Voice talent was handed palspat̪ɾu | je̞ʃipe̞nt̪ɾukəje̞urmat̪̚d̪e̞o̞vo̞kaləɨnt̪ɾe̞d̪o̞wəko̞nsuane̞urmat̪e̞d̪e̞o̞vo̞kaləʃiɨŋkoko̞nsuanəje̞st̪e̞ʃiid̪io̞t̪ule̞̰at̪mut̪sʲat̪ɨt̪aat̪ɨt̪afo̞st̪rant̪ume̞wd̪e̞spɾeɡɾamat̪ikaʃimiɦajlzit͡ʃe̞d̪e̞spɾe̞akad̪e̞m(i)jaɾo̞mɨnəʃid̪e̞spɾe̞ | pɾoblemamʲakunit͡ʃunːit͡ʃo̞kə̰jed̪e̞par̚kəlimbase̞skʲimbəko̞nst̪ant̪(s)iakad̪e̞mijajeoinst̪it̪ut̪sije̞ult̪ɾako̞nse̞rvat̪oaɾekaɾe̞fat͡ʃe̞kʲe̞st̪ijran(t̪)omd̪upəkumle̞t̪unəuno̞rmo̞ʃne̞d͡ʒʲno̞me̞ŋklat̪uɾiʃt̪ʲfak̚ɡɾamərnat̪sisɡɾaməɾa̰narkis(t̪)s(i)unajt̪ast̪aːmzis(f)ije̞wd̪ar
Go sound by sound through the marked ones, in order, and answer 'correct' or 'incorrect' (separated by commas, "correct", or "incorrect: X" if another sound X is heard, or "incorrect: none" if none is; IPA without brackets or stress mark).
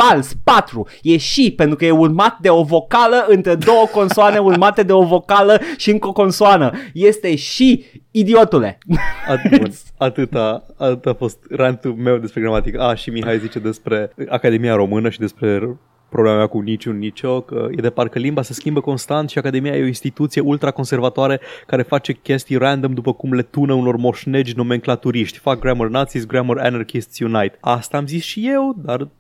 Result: correct, incorrect: ʃ, incorrect: d̪, correct, incorrect: j, incorrect: ʃ